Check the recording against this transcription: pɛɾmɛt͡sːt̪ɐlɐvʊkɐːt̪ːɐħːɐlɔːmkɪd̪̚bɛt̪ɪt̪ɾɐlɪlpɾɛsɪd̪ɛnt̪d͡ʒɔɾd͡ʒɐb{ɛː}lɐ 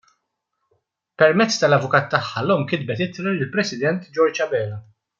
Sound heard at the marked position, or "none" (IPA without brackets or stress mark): ɛː